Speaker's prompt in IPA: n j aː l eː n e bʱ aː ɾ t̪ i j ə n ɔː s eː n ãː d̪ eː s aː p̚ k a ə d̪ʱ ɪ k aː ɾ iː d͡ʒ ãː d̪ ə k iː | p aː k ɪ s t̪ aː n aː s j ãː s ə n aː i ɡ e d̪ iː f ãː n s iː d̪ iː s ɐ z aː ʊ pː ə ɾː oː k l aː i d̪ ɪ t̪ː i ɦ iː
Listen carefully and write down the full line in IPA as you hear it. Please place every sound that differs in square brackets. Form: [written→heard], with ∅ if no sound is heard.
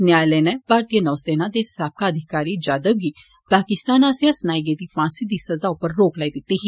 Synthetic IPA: n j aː l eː n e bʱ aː ɾ t̪ i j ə n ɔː s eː n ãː d̪ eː s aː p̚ k a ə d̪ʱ ɪ k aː ɾ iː d͡ʒ [ãː→aː] d̪ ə [k→ɡ] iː | p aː k ɪ s t̪ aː n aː s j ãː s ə n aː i ɡ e d̪ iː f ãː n s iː d̪ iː s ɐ z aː ʊ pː ə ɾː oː k l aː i d̪ ɪ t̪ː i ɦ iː

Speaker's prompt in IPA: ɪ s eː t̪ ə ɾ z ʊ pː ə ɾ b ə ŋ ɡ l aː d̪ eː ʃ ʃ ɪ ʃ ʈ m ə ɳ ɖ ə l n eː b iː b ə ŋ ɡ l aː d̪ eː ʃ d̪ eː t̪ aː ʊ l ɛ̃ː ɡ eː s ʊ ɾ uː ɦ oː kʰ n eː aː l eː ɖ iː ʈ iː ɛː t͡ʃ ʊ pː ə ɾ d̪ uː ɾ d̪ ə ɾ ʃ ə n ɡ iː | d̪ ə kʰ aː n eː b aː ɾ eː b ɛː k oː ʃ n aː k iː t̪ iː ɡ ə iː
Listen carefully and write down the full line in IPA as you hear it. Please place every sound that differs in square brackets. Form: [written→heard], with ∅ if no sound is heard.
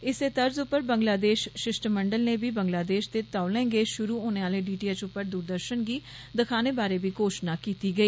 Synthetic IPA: ɪ s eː t̪ ə ɾ z ʊ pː ə ɾ b ə ŋ ɡ l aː d̪ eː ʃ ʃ ɪ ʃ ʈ m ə ɳ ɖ ə l n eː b iː b ə ŋ ɡ l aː d̪ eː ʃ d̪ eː t̪ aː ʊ l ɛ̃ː ɡ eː [s→ʃ] ʊ ɾ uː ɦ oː [kʰ→∅] n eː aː l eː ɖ iː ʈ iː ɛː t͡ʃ ʊ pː ə ɾ d̪ uː ɾ d̪ ə ɾ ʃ ə n ɡ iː | d̪ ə kʰ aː n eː b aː ɾ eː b [ɛː→iː] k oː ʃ n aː k iː t̪ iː ɡ ə iː

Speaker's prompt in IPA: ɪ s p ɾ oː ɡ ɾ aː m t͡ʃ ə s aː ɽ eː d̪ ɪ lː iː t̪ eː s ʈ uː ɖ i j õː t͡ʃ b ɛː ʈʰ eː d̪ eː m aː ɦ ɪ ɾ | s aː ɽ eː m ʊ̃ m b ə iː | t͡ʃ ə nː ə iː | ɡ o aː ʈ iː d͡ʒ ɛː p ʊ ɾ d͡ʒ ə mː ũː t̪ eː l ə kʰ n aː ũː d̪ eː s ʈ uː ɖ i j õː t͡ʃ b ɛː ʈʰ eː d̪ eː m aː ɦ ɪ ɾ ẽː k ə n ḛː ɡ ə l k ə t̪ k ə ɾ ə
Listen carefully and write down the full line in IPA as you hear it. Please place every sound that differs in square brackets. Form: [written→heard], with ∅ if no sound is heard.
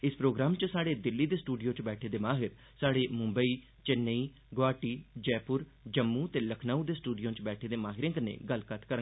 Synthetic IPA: ɪ s p ɾ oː ɡ ɾ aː m t͡ʃ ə s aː ɽ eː d̪ ɪ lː iː [t̪→d̪] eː s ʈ uː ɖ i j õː t͡ʃ b ɛː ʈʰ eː d̪ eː m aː ɦ ɪ ɾ | s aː ɽ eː m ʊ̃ m b ə iː | t͡ʃ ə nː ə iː | ɡ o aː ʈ iː d͡ʒ ɛː p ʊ ɾ d͡ʒ ə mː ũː t̪ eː l ə kʰ n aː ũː d̪ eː s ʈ uː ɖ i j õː t͡ʃ b ɛː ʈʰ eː d̪ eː m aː ɦ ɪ ɾ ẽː k ə n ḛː ɡ ə l k ə t̪ k ə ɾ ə

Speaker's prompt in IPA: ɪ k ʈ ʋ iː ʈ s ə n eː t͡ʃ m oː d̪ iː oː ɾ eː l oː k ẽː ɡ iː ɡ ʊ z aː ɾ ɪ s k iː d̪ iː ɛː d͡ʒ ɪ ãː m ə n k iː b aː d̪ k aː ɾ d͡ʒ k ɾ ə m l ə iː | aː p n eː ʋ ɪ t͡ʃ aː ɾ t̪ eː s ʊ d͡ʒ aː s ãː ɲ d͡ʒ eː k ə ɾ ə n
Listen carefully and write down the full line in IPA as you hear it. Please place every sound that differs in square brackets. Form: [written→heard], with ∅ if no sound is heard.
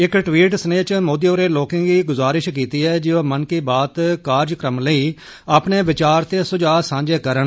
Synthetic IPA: ɪ k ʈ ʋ iː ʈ s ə n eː t͡ʃ m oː d̪ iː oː ɾ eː l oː k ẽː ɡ iː ɡ ʊ z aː ɾ ɪ [s→ʃ] k iː [d̪→t̪] iː ɛː d͡ʒ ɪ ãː m ə n k iː b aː [d̪→t̪] k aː ɾ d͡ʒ k ɾ ə m l ə iː | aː p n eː ʋ ɪ t͡ʃ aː ɾ t̪ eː s ʊ d͡ʒ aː s ãː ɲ d͡ʒ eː k ə ɾ ə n

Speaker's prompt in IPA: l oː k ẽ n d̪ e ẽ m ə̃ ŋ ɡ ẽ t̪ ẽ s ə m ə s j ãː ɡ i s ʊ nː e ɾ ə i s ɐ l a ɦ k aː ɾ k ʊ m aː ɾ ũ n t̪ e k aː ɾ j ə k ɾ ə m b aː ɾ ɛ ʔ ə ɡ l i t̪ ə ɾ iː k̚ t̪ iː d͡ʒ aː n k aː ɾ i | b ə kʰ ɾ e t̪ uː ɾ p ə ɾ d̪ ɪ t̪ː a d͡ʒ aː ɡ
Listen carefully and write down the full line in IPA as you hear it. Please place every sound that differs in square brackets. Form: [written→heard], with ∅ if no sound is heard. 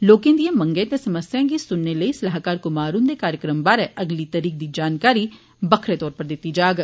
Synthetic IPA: l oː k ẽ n d̪ [e→i] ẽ m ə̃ ŋ ɡ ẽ t̪ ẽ s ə m ə s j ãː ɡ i s ʊ nː e [ɾ→l] ə i s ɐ l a ɦ k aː ɾ k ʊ m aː ɾ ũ n [t̪→d̪] e k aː ɾ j ə k ɾ ə m b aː ɾ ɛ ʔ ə ɡ l i t̪ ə ɾ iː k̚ [t̪→d̪] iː d͡ʒ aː n k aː ɾ i | b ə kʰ ɾ e t̪ [uː→ɔː] ɾ p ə ɾ d̪ ɪ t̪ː [a→i] d͡ʒ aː ɡ

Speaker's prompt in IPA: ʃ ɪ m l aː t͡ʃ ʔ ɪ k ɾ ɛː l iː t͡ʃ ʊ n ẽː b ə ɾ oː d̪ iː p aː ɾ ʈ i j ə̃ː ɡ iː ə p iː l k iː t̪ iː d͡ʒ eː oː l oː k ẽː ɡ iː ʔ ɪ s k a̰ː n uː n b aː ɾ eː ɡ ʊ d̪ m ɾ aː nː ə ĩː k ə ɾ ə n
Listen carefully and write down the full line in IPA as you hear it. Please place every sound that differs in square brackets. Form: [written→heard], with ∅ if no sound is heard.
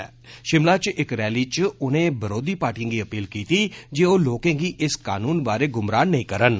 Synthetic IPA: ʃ ɪ m l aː t͡ʃ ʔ ɪ k ɾ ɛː l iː t͡ʃ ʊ n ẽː b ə ɾ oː d̪ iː p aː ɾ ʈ i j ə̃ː ɡ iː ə p iː l k iː t̪ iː d͡ʒ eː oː l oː k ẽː ɡ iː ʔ ɪ s k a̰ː n uː n b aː ɾ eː ɡ ʊ [d̪→∅] m ɾ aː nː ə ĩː k ə ɾ ə n

